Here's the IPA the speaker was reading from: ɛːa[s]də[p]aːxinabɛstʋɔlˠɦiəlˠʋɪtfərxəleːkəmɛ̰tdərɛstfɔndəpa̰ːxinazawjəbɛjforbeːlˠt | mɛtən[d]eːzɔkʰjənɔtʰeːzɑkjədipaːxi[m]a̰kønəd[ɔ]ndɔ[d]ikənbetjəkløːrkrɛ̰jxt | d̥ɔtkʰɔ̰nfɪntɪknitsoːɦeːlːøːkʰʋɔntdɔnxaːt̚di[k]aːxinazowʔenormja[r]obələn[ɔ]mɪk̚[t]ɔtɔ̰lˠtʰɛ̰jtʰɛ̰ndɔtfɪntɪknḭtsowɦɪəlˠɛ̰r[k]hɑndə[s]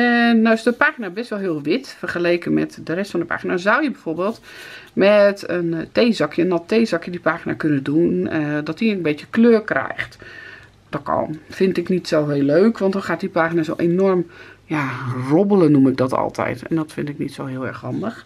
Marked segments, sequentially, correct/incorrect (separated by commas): correct, correct, incorrect, incorrect, incorrect, incorrect, incorrect, correct, incorrect, incorrect, incorrect, incorrect